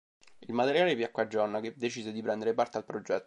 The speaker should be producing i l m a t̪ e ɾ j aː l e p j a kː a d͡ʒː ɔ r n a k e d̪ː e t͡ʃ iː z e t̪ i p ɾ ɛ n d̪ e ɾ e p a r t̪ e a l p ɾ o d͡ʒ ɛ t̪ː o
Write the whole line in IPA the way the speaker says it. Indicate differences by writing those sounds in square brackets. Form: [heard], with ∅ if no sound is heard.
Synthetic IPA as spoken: i l m a t̪ e ɾ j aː l e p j a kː a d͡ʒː ɔ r n a k e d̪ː e t͡ʃ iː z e [d̪] i p ɾ ɛ n d̪ e ɾ e p a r t̪ e a l p ɾ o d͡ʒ ɛ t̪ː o